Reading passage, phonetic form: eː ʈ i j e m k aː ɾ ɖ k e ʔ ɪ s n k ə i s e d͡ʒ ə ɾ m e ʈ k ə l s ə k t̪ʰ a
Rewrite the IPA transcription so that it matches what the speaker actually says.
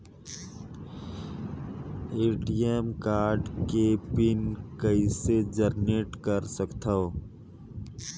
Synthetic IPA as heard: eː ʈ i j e m k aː ɾ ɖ k e p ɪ n k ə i s e d͡ʒ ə ɾ n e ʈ k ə ɾ s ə k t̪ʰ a